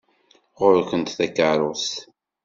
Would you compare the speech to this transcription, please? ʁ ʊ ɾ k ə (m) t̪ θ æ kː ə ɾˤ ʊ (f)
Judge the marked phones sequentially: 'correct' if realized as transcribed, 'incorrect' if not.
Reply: incorrect: n, incorrect: s

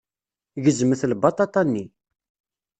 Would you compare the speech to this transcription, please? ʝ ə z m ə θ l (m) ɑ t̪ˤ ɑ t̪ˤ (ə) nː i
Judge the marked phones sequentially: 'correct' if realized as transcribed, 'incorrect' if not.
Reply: incorrect: b, incorrect: ɑ

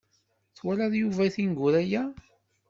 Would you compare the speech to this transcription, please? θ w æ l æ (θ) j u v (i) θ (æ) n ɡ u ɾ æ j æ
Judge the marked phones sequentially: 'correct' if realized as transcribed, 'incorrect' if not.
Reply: incorrect: ð, incorrect: æ, incorrect: i

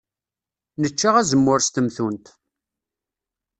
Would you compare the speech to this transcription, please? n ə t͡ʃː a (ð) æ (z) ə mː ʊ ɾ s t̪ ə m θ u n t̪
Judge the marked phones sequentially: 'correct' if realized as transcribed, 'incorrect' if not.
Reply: incorrect: ʁ, correct

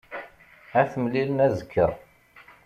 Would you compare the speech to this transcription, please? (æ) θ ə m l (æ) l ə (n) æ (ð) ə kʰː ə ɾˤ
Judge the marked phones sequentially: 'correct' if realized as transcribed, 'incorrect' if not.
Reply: correct, incorrect: i, correct, incorrect: z

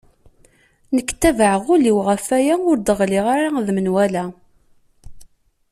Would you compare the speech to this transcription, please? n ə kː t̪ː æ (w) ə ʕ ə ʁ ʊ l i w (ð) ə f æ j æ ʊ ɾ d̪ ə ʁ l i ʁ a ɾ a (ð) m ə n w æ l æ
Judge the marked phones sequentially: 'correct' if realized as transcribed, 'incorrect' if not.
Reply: incorrect: v, incorrect: ʁ, correct

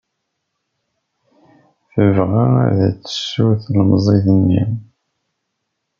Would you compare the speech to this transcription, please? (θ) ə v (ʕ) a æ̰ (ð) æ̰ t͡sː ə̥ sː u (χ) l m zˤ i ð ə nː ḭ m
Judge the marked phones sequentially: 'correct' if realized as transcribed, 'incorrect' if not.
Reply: correct, incorrect: ʁ, correct, incorrect: θ

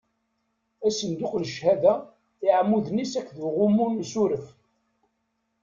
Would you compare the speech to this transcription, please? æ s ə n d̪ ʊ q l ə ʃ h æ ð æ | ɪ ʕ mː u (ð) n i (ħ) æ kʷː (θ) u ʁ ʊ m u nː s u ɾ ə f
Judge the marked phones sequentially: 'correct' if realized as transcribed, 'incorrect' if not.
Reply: correct, incorrect: s, incorrect: ð

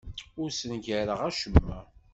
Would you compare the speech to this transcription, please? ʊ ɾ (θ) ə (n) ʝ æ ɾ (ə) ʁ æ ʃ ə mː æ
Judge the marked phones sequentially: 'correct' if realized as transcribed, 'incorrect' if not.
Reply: incorrect: s, correct, correct

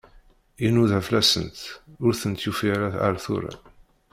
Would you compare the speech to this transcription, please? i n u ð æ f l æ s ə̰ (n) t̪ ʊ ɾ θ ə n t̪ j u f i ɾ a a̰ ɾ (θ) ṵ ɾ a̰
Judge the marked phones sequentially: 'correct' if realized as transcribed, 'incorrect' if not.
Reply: correct, correct

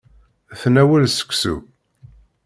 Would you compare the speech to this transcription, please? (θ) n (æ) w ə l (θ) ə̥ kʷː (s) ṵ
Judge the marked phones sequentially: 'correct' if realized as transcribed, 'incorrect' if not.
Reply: correct, correct, incorrect: s, correct

